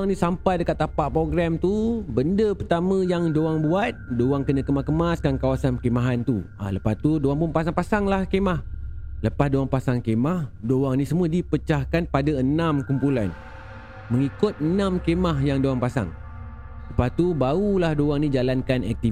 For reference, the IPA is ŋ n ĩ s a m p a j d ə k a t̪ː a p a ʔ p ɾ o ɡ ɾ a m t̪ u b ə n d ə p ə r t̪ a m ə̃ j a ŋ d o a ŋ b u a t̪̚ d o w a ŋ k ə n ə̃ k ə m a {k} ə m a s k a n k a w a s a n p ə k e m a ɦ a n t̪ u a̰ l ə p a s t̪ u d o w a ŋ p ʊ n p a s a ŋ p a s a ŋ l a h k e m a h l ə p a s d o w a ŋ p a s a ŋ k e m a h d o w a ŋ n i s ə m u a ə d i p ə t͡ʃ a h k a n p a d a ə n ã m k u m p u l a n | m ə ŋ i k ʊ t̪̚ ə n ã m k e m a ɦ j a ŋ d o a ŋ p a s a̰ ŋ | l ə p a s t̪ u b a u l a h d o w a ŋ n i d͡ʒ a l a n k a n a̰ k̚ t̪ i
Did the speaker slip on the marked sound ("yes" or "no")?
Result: no